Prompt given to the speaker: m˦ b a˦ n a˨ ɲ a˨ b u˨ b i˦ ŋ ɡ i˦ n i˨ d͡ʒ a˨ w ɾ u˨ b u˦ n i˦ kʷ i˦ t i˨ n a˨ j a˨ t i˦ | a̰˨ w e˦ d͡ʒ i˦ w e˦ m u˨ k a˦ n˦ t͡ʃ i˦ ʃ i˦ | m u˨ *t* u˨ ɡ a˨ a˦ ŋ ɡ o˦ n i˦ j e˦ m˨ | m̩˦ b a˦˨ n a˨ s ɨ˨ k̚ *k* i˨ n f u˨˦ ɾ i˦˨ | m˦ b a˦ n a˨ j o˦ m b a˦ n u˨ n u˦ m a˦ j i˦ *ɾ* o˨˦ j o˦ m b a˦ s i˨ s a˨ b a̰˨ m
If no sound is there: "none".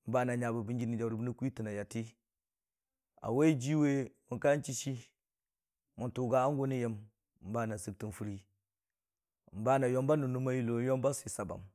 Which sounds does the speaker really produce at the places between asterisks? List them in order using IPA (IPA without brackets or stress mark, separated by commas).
t, t, l